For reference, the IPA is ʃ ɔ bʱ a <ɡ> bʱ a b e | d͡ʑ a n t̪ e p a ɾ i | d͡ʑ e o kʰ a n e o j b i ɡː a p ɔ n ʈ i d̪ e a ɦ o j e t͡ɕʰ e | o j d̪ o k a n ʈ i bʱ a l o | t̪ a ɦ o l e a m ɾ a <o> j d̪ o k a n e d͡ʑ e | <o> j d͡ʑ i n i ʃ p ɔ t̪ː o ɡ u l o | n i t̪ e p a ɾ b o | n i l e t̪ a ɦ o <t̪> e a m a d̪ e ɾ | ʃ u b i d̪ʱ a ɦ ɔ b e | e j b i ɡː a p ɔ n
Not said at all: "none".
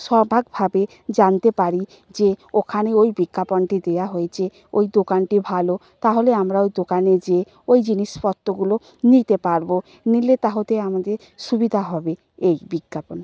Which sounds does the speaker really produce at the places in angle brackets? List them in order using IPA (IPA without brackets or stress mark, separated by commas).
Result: ɡ, o, o, t̪